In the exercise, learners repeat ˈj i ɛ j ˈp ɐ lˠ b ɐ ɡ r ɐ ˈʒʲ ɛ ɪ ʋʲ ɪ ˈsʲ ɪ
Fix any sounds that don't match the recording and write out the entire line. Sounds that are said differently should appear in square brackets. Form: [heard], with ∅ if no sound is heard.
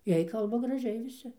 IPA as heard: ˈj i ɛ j [ˈk] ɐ lˠ b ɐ ɡ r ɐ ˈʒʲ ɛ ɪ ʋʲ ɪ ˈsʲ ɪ

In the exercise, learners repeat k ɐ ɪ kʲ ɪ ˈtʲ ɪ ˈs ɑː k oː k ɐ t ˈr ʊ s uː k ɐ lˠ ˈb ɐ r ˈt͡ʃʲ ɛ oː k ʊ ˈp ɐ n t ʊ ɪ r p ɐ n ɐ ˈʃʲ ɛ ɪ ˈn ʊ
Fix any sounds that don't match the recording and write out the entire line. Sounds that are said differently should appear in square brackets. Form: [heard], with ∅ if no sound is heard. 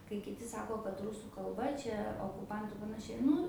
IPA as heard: k ɐ ɪ kʲ ɪ ˈtʲ ɪ ˈs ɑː k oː k ɐ t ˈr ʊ s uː k ɐ lˠ ˈb ɐ [∅] ˈt͡ʃʲ ɛ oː k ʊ ˈp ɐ n t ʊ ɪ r p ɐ n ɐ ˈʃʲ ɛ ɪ ˈn ʊ

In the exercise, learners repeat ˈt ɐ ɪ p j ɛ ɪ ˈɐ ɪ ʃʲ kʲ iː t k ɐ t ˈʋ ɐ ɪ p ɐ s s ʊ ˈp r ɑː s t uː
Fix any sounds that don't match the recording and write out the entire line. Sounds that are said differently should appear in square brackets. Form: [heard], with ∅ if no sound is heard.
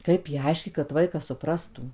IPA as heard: [ˈk] ɐ ɪ p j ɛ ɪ ˈɐ ɪ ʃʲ kʲ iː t k ɐ t ˈʋ ɐ ɪ [k] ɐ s s ʊ ˈp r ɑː s t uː

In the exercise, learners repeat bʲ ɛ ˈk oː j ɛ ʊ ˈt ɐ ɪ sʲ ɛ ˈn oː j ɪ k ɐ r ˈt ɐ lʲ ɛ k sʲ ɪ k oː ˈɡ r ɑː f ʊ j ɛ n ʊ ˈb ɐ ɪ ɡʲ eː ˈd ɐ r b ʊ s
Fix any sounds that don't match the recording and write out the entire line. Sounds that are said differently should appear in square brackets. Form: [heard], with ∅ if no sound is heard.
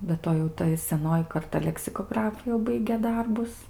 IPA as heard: bʲ ɛ [ˈt] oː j ɛ ʊ ˈt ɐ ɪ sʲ ɛ ˈn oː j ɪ k ɐ r ˈt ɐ lʲ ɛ k sʲ ɪ k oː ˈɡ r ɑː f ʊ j ɛ [∅] ʊ ˈb ɐ ɪ ɡʲ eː ˈd ɐ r b ʊ s

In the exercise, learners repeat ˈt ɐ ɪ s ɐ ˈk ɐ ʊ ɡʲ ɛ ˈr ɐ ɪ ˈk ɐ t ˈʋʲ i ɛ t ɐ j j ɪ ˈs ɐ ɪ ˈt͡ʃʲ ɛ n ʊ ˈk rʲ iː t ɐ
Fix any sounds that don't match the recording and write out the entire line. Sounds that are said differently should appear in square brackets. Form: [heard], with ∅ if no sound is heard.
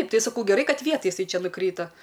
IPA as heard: ˈt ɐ ɪ s ɐ ˈk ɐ ʊ ɡʲ ɛ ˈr ɐ ɪ ˈk ɐ t ˈʋʲ i ɛ t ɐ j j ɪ ˈs ɐ ɪ ˈt͡ʃʲ ɛ n ʊ ˈk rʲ iː t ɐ

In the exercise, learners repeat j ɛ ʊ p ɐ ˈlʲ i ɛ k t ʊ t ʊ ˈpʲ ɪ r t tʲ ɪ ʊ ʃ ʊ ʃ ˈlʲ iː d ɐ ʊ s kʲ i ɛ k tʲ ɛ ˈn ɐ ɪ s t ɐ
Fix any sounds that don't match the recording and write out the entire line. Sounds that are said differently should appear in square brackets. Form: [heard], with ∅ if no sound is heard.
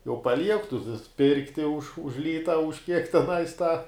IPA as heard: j ɛ ʊ p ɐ ˈlʲ i ɛ k t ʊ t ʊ ˈpʲ ɪ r [k] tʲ ɪ ʊ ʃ ʊ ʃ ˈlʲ iː [t] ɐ ʊ [ʃ] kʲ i ɛ k tʲ ɛ ˈn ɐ ɪ s t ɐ

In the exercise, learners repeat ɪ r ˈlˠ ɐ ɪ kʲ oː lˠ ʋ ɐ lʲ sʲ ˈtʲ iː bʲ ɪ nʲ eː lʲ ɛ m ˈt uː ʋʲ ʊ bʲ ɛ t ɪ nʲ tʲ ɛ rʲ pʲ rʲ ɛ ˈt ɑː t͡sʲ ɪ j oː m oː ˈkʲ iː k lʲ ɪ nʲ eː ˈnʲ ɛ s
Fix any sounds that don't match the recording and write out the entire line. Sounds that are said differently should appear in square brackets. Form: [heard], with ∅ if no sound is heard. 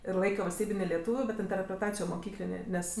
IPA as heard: ɪ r ˈlˠ ɐ ɪ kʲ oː [∅] ʋ ɐ lʲ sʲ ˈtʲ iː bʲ ɪ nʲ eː lʲ ɛ [∅] ˈt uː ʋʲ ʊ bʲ ɛ t ɪ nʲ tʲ ɛ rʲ pʲ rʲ ɛ ˈt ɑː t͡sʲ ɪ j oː m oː ˈkʲ iː k lʲ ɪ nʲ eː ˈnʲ ɛ s

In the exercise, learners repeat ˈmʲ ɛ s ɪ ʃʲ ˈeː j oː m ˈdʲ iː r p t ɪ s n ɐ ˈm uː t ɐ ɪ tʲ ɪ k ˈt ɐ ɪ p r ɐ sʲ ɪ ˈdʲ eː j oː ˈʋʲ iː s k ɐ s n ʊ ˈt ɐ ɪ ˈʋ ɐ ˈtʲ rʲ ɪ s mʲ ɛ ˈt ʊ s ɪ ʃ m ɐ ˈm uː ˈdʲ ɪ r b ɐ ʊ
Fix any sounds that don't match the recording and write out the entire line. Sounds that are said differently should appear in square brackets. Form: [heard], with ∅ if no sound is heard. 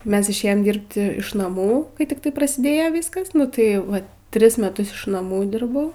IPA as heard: ˈmʲ ɛ s ɪ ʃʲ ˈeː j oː m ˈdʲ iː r p t ɪ [ʃ] n ɐ ˈm uː [k] ɐ ɪ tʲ ɪ k ˈt ɐ ɪ p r ɐ sʲ ɪ ˈdʲ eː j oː ˈʋʲ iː s k ɐ s n ʊ ˈt ɐ ɪ ˈʋ ɐ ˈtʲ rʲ ɪ s mʲ ɛ ˈt ʊ s ɪ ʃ [n] ɐ ˈm uː ˈdʲ ɪ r b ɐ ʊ

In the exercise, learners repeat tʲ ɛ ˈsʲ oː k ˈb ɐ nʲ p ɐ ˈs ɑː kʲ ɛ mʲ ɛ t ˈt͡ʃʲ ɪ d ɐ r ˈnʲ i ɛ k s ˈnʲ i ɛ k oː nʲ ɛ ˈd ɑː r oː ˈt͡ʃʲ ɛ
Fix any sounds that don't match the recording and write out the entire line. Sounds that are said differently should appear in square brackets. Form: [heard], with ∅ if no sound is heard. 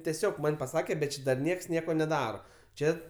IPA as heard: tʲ ɛ ˈsʲ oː k [ˈm] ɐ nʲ p ɐ ˈs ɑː kʲ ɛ [bʲ] ɛ t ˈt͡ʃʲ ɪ d ɐ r ˈnʲ i ɛ k s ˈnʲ i ɛ k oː nʲ ɛ ˈd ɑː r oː ˈt͡ʃʲ ɛ

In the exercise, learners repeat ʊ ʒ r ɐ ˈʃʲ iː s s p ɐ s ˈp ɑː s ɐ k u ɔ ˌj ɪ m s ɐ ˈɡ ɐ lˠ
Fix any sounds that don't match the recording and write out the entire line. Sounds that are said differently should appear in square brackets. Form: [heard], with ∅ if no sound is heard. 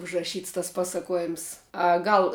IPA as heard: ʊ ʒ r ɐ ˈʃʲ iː [t] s [t] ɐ s ˈp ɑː s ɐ k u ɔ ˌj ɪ m s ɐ ˈɡ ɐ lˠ

